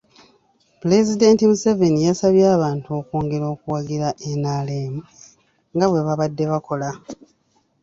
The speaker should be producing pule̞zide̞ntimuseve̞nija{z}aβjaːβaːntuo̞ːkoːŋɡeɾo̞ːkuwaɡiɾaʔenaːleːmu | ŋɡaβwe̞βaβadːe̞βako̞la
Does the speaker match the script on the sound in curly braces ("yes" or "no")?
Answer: no